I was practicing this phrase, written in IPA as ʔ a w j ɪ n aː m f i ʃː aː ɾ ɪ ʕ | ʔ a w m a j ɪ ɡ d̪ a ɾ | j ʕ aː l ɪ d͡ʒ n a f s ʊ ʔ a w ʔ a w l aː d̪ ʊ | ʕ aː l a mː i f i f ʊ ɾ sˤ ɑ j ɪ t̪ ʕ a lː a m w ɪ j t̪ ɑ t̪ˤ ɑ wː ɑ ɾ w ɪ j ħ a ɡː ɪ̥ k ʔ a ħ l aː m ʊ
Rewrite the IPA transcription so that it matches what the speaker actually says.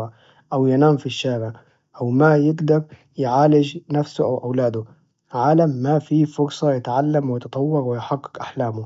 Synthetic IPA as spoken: ʔ a w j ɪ n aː m f i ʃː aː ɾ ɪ ʕ | ʔ a w m a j ɪ ɡ d̪ a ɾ | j ʕ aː l ɪ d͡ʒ n a f s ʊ ʔ a w ʔ a w l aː d̪ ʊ | ʕ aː l a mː a f i f ʊ ɾ sˤ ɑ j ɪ t̪ ʕ a lː a m w ɪ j t̪ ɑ t̪ˤ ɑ wː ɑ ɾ w ɪ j ħ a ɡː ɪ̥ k ʔ a ħ l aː m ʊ